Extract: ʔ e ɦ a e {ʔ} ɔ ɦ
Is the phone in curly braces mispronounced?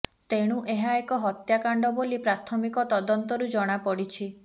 yes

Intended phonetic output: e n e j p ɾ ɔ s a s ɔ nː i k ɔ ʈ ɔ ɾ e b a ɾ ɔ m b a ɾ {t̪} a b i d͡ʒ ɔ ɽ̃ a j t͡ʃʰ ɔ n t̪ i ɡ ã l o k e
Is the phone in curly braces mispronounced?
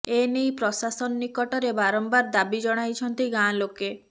yes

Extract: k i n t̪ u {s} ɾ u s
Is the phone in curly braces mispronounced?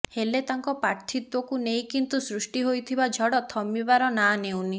no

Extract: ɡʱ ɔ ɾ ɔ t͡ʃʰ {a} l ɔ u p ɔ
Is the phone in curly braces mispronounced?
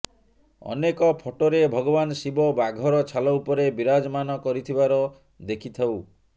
no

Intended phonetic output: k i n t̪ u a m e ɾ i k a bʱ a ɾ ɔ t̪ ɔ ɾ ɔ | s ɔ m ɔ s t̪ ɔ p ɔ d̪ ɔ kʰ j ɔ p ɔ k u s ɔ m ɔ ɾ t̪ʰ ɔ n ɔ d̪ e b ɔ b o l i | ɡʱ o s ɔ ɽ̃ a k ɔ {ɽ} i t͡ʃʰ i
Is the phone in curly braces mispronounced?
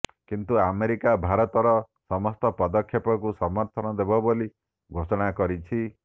yes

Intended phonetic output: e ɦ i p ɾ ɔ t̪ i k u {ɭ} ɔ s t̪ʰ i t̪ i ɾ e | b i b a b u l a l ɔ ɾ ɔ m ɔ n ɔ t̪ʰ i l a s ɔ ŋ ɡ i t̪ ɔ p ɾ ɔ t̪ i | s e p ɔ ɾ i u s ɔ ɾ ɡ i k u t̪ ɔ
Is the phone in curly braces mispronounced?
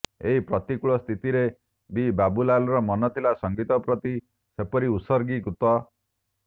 no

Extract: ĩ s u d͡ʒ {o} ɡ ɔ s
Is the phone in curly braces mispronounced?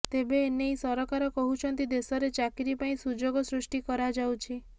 no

